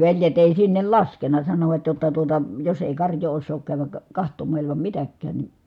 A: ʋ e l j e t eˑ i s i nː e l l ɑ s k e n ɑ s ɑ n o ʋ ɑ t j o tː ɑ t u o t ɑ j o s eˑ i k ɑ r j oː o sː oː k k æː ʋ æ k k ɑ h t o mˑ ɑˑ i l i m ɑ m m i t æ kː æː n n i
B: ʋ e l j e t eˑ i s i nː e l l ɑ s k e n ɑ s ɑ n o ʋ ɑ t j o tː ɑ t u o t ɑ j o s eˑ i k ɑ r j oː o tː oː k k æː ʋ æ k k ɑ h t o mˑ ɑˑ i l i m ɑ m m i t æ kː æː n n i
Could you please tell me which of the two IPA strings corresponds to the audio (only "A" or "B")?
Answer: A